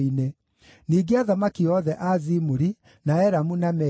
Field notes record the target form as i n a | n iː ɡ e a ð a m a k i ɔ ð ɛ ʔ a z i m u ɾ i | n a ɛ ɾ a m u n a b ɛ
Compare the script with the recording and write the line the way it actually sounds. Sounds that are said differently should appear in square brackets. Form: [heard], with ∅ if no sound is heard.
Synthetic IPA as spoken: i n [e] | n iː ɡ e a ð a m a k i ɔ ð ɛ ʔ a z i m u ɾ i | n a ɛ ɾ a m u n a [m] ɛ